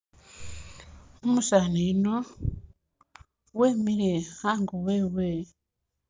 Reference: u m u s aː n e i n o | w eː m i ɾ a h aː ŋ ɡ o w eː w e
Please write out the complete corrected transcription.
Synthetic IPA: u m u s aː n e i n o | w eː m i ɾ e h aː ŋ ɡ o w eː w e